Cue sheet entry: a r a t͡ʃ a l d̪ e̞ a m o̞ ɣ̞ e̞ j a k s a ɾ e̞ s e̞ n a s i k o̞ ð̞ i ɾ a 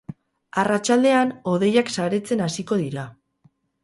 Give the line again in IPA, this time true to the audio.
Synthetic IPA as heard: a r a t͡ʃ a l d̪ e̞ a n o̞ ð̞ e̞ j a k s a ɾ e̞ t͡s e̞ n a s i k o̞ ð̞ i ɾ a